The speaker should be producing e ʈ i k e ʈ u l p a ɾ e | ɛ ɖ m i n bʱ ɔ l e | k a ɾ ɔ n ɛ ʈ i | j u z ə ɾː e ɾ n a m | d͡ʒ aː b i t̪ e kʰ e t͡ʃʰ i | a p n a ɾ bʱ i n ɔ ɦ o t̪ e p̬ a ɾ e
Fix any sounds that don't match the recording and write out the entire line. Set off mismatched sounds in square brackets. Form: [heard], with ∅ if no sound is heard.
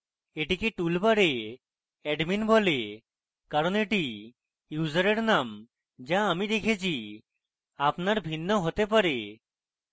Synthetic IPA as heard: e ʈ i k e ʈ u l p a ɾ e | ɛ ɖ m i n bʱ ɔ l e | k a ɾ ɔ n [e] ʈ i | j u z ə [ɾ] e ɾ n a m | d͡ʒ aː [m] i [d̪] e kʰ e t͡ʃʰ i | a p n a ɾ bʱ i [nː] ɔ ɦ o t̪ e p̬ a ɾ e